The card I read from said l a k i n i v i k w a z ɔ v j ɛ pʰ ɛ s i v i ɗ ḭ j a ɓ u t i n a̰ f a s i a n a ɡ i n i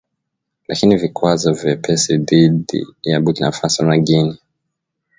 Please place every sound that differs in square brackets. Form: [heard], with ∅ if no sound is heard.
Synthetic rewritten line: l a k i n i v i k w a z ɔ v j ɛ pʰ ɛ s i [ð] i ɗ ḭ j a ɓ u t i n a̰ f a s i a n a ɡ i n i